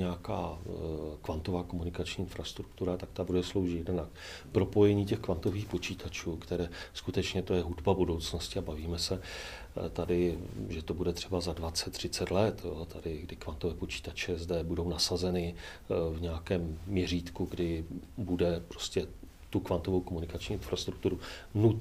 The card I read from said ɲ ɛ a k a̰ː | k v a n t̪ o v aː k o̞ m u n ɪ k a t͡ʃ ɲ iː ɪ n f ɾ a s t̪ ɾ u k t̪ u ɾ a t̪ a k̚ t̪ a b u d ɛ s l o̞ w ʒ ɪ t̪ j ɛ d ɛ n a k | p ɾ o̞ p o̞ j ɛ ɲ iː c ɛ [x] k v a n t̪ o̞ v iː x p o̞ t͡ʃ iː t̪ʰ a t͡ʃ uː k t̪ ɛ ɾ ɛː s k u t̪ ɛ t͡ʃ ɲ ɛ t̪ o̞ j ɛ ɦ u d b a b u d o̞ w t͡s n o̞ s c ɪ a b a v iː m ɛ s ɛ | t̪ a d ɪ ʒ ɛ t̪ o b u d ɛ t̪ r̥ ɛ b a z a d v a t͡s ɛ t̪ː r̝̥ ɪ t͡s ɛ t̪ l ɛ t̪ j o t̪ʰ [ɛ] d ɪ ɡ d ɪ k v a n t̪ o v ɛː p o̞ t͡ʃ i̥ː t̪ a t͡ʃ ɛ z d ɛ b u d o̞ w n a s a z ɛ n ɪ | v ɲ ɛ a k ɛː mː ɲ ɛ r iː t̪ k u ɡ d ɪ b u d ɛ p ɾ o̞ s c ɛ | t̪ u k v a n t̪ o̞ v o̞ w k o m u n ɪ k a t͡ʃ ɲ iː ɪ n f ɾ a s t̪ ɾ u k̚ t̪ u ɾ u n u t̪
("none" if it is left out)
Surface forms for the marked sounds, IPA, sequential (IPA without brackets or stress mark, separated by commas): x, a